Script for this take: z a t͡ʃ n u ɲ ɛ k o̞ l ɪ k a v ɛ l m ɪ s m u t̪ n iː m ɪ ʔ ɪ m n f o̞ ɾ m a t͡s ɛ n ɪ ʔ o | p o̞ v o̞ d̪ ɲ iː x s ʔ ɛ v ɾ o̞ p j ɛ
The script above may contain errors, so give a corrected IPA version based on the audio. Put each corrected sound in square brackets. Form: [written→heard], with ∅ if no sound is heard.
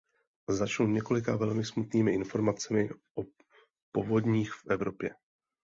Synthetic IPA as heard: z a t͡ʃ n u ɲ ɛ k o̞ l ɪ k a v ɛ l m ɪ s m u t̪ n iː m ɪ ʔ ɪ [m→∅] n f o̞ ɾ m a t͡s ɛ [n→m] ɪ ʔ o | p o̞ v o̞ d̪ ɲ iː x [s→f] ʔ ɛ v ɾ o̞ p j ɛ